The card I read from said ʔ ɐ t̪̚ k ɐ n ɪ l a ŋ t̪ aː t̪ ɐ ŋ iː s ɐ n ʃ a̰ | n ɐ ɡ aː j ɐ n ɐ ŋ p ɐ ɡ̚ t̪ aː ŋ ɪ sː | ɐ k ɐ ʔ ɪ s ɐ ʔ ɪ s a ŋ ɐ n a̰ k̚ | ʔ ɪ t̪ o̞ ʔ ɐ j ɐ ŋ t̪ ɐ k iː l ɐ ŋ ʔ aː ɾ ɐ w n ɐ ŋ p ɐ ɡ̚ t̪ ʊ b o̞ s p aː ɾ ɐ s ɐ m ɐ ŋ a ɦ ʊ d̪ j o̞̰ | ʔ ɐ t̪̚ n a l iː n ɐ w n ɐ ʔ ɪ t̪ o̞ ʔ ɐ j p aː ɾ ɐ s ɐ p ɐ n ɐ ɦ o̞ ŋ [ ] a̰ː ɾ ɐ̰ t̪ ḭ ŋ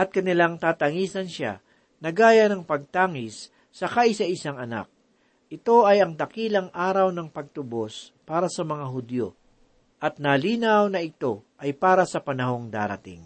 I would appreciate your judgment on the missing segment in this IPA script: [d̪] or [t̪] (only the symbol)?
d̪